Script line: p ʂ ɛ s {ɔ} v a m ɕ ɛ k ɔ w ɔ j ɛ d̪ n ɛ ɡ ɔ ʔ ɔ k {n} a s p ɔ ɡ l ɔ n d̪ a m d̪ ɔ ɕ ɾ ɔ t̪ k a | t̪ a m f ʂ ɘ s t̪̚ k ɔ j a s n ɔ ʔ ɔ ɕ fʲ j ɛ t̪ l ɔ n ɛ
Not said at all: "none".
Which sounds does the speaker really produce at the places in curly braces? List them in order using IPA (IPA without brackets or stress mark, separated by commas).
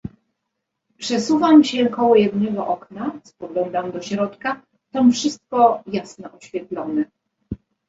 u, n